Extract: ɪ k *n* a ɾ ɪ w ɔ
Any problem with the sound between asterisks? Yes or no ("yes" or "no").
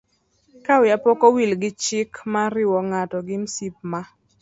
yes